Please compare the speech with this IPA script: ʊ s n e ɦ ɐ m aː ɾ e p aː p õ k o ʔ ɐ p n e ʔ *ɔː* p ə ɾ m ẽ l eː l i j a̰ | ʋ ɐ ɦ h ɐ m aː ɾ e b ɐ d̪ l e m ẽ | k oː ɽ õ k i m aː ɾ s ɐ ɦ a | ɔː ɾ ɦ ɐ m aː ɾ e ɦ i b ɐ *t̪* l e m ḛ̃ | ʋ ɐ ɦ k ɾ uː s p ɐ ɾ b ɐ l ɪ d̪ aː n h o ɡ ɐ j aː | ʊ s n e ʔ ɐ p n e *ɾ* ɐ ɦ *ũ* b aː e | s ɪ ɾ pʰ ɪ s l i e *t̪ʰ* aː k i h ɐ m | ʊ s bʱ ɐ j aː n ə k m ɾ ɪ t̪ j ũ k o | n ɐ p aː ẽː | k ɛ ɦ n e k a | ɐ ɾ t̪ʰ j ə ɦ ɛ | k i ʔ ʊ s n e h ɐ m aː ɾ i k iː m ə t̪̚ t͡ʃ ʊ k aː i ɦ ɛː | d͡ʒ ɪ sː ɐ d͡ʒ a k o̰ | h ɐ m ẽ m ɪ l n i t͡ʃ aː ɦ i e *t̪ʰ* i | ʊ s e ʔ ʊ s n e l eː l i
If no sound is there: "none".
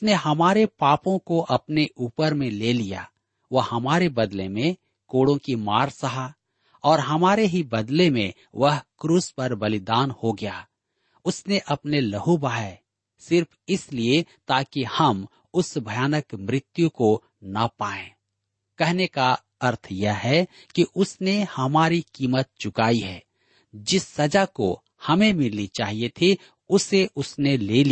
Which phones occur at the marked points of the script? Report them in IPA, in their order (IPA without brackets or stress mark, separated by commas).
uː, d̪, l, u, t̪, t̪ʰ